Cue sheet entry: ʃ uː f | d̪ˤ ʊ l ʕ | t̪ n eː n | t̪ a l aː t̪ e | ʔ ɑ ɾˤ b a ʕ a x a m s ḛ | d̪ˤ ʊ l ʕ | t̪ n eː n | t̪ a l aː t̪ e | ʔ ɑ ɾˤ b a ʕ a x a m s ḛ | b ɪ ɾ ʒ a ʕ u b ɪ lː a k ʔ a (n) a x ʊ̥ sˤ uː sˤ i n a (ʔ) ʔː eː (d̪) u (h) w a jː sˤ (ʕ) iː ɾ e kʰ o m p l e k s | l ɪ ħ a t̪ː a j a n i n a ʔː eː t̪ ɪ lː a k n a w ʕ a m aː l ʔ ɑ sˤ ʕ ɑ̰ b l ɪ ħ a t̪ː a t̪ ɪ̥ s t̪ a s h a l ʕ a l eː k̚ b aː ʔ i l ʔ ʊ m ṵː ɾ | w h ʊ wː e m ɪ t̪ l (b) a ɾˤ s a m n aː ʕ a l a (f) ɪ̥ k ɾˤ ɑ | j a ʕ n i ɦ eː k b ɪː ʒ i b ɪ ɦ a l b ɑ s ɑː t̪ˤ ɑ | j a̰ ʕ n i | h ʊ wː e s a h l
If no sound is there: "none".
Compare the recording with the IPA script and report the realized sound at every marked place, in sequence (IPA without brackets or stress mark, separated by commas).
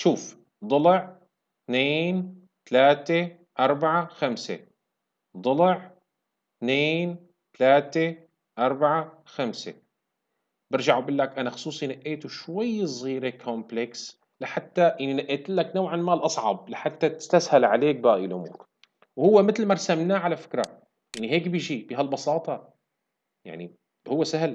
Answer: n, ʔ, t̪, ʃ, ɣ, m, f